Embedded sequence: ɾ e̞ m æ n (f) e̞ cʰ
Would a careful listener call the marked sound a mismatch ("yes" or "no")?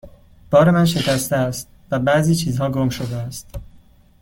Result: yes